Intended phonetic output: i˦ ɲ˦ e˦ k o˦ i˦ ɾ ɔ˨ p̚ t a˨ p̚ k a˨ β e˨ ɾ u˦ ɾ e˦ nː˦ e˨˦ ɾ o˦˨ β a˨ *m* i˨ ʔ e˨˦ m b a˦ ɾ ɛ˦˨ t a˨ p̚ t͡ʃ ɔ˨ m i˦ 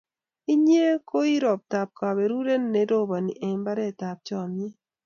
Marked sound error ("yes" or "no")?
yes